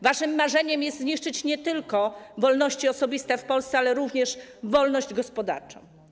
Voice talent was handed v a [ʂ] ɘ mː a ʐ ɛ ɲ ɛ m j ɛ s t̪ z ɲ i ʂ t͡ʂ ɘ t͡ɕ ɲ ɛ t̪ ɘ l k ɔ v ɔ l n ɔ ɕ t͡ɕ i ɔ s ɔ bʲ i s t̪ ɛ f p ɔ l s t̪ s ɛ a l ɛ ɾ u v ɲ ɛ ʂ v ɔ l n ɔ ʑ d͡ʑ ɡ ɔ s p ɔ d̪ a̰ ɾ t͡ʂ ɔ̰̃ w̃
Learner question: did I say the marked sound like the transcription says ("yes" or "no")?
yes